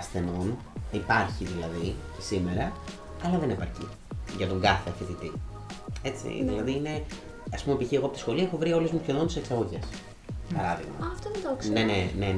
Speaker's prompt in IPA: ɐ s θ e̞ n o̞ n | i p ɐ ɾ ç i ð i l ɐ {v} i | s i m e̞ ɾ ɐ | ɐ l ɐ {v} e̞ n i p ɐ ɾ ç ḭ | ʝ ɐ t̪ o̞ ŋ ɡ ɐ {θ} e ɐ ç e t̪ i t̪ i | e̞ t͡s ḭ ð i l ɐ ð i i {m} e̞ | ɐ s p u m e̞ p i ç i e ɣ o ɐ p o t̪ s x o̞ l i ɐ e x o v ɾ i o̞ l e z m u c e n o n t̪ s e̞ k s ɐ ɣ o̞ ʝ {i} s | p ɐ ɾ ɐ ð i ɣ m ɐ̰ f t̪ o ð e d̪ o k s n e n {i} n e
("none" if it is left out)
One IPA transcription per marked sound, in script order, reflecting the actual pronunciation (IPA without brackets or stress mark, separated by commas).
ð, ð, θ, n, e, e